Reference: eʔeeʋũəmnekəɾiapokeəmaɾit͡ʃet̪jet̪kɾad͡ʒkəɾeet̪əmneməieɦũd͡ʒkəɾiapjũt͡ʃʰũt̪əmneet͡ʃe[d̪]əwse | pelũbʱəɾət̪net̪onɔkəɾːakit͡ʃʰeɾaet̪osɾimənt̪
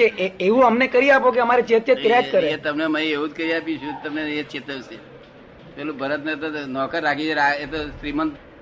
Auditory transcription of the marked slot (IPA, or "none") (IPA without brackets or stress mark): t̪